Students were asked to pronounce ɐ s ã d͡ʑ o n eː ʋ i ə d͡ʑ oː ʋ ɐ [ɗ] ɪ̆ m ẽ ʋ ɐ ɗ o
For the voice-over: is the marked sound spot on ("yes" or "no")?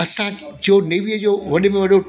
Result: yes